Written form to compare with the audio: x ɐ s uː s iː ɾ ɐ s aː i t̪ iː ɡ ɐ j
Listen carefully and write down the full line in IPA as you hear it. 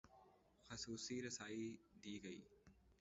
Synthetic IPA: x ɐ s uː s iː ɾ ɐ s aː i d̪ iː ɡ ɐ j

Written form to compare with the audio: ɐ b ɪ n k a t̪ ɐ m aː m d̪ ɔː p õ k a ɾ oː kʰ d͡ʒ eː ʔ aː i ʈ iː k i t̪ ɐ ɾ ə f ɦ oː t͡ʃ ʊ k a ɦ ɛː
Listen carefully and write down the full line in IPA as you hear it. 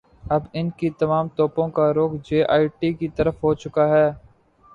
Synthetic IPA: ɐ b ɪ n k i t̪ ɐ m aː m t̪ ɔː p õ k a ɾ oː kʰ d͡ʒ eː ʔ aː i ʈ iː k i t̪ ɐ ɾ ə f ɦ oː t͡ʃ ʊ k a ɦ ɛː

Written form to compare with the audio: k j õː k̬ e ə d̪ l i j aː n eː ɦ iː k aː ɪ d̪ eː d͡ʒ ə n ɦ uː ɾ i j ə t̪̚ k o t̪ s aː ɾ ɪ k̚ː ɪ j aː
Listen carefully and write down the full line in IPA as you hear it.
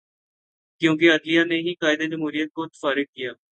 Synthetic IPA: k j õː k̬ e ə d̪ l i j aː n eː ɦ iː k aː ɪ d̪ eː d͡ʒ ə m ɦ uː ɾ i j ə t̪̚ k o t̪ f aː ɾ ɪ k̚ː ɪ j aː

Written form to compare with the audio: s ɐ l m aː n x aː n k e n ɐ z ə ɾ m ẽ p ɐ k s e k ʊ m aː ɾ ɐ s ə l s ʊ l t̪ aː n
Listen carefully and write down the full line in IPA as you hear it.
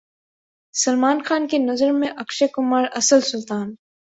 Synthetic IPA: s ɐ l m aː n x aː n k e n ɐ z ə ɾ m ẽ ʔ ɐ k ʃ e k ʊ m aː ɾ ɐ s ə l s ʊ l t̪ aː n

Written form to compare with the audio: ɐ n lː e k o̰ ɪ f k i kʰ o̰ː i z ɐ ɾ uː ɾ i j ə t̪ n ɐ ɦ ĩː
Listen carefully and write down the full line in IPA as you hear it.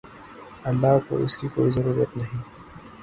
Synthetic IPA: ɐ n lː a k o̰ ɪ s k i k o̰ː i z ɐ ɾ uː ɾ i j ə t̪ n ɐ ɦ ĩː

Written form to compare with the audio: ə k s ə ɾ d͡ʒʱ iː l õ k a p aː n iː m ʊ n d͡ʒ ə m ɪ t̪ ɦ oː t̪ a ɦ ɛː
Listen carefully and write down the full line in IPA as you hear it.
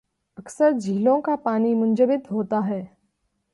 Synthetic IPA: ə k s ə ɾ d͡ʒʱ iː l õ k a p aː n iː m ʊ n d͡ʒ ə b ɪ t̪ ɦ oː t̪ a ɦ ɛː

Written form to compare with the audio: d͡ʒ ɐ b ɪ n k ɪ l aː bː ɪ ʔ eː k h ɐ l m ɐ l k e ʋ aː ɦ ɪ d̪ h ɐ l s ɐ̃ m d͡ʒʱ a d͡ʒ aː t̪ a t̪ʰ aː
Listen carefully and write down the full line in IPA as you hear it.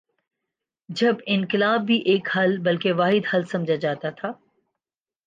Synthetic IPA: d͡ʒ ɐ b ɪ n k ɪ l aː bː i ʔ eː k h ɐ l b ɐ l k e ʋ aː ɦ ɪ d̪ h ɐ l s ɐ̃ m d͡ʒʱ a d͡ʒ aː t̪ a t̪ʰ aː

